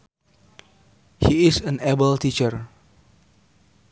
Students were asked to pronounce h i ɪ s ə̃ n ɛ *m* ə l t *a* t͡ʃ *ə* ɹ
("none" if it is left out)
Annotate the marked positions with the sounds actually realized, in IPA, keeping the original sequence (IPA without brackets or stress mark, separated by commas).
b, i, ə